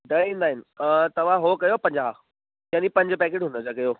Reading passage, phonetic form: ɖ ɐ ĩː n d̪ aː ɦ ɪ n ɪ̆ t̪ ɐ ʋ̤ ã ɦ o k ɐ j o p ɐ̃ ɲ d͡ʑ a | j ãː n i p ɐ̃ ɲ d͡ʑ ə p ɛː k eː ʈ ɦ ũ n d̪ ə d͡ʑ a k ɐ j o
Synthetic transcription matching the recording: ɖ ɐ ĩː n d̪ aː ɦ ɪ n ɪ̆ t̪ ɐ ʋ̤ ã ɦ o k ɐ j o p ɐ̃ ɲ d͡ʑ a | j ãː n i p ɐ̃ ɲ d͡ʑ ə p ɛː k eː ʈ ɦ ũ n d̪ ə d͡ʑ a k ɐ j o